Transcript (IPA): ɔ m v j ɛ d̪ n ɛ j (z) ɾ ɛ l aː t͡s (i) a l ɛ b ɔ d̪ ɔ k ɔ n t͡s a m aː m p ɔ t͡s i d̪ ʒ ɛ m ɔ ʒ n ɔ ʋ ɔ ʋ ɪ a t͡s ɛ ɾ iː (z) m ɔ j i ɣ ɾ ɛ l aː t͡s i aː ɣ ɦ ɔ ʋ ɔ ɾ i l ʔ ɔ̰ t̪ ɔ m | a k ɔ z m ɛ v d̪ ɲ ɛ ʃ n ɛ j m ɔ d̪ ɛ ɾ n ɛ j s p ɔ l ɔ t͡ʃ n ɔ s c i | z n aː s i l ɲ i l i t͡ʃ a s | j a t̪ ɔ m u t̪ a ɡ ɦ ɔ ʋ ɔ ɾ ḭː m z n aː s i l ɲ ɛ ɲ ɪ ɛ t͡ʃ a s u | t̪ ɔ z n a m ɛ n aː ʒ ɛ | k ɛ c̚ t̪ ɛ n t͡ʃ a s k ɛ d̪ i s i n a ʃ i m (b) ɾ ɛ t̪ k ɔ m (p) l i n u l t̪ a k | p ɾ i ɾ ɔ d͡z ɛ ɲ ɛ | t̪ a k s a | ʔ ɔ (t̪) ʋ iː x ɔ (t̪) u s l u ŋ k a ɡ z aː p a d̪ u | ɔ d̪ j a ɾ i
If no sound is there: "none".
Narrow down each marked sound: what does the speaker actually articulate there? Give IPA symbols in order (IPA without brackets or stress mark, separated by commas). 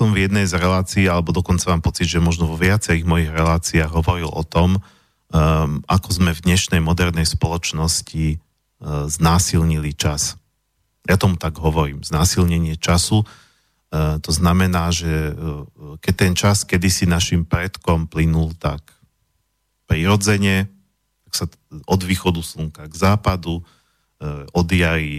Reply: z, iː, ɣ, p, p, d̪, d̪